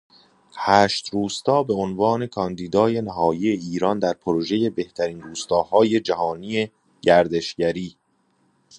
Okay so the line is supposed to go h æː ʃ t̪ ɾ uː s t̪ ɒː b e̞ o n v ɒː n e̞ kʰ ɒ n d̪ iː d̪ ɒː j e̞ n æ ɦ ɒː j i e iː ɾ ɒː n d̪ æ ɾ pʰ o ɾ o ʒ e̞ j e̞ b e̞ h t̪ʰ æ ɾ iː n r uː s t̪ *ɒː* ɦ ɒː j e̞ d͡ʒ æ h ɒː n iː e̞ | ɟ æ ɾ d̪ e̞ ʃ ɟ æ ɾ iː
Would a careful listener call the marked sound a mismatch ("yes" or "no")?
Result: no